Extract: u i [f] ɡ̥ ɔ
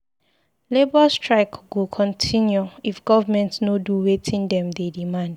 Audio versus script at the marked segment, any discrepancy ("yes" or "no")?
no